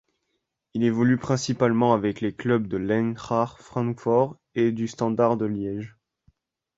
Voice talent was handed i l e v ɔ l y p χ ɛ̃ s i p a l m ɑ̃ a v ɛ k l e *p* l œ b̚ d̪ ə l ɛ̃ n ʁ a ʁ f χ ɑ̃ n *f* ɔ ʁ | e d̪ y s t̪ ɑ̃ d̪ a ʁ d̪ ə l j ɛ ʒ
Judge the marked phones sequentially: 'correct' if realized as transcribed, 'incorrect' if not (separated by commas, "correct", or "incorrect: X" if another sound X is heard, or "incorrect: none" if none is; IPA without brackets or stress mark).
incorrect: k, correct